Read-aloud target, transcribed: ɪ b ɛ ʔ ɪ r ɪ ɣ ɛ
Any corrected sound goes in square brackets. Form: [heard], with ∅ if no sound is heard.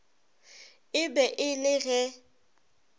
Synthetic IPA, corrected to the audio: ɪ b ɛ ʔ ɪ [l] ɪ ɣ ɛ